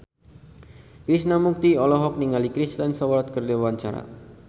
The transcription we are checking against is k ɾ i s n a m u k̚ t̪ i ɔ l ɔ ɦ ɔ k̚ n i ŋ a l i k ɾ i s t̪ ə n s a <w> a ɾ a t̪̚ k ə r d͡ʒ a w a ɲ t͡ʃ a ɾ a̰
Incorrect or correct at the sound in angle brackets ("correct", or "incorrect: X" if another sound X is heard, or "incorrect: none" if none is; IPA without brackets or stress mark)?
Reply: correct